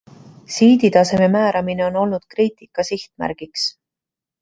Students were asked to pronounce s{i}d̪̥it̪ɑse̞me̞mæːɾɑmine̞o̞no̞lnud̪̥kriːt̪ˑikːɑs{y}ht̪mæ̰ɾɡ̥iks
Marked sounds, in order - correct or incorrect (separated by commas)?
incorrect, incorrect